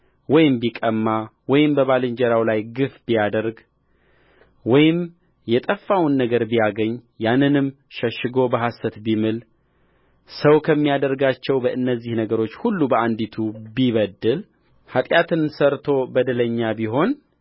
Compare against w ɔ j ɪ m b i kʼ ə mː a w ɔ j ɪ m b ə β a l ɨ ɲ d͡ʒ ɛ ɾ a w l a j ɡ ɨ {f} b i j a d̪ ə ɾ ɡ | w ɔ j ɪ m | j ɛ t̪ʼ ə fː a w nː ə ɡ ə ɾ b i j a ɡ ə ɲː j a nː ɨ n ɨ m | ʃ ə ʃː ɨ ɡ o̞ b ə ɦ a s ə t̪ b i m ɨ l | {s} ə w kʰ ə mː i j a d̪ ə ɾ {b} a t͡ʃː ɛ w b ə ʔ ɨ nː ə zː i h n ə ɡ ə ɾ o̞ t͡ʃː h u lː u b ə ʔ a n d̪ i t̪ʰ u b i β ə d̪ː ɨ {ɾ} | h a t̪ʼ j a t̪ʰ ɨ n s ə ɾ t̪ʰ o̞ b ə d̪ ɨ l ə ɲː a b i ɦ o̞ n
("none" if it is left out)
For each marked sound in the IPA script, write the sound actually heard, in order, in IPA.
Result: f, s, ɡ, l

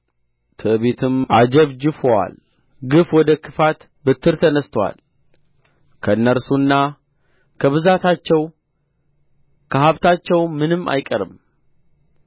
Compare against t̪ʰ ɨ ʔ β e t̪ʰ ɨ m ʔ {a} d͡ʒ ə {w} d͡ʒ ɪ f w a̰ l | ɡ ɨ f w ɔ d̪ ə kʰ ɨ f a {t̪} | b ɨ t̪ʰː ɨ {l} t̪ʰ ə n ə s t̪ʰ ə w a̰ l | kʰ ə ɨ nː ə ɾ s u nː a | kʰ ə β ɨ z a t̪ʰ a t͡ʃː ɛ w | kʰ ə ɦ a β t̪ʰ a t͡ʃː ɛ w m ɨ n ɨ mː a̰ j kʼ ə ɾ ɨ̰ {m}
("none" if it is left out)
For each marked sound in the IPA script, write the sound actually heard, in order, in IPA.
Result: a, β, t̪, ɾ, m

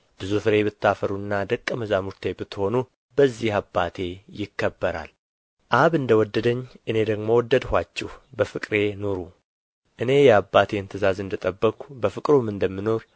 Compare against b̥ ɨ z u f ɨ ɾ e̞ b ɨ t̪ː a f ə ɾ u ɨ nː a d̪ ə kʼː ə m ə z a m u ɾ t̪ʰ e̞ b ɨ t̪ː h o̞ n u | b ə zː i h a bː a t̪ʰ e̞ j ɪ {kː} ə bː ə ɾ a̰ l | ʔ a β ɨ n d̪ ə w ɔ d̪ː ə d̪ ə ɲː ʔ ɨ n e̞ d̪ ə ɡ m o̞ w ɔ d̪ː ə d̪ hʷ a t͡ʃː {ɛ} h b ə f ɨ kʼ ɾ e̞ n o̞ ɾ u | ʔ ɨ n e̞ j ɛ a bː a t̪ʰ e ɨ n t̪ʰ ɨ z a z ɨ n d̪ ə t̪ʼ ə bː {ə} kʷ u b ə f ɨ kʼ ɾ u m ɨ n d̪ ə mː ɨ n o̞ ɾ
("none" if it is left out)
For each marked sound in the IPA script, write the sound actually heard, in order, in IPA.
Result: kː, ɛ, ə

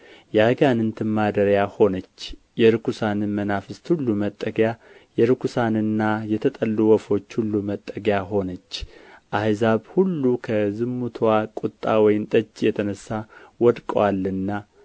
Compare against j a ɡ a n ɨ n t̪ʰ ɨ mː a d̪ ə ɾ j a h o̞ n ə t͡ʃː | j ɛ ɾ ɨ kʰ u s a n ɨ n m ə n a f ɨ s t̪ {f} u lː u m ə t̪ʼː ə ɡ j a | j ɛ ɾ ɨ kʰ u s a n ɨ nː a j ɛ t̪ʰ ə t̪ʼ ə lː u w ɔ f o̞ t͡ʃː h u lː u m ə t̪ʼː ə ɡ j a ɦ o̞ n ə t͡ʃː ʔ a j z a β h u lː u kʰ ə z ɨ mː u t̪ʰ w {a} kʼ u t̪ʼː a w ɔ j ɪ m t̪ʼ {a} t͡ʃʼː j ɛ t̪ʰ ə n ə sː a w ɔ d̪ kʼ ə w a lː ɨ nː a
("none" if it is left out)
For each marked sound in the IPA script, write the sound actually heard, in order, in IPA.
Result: h, a, ə

